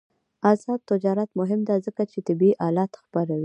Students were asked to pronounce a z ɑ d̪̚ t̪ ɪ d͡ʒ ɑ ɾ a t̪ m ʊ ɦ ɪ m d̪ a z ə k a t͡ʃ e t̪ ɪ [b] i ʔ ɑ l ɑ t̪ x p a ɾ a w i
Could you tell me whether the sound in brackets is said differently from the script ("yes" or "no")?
no